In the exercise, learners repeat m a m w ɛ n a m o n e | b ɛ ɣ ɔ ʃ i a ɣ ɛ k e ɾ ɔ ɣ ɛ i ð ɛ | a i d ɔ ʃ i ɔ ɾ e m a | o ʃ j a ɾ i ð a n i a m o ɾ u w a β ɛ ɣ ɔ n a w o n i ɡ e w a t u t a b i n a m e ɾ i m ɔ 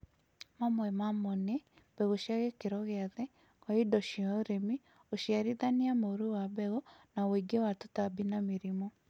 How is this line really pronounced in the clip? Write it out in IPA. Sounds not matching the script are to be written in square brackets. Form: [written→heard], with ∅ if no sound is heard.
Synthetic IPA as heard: m a m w ɛ [n→m] a m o n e | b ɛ ɣ [ɔ→o] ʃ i a ɣ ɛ k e ɾ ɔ ɣ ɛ [i→a] ð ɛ | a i d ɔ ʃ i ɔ ɾ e m [a→i] | o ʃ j a ɾ i ð a n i a m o ɾ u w a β ɛ ɣ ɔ n a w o [n→∅] i ɡ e w a t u t a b i n a m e ɾ i m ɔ